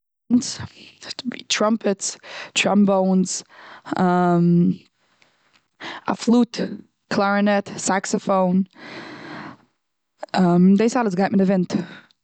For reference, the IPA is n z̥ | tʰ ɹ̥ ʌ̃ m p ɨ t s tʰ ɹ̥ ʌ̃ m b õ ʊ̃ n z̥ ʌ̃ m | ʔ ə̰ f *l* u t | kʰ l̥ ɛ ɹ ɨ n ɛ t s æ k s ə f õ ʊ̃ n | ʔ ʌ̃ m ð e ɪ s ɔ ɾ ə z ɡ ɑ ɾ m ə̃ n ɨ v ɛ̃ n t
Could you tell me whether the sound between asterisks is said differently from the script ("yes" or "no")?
no